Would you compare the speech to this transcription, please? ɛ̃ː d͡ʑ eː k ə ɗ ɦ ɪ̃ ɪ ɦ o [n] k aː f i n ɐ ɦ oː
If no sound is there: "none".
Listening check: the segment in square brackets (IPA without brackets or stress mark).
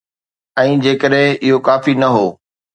none